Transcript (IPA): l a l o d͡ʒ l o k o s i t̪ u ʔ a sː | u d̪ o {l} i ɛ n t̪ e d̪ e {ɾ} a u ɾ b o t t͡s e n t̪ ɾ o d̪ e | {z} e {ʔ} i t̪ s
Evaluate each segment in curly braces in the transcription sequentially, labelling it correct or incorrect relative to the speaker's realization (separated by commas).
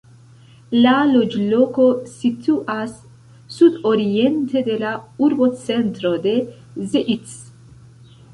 incorrect, incorrect, correct, correct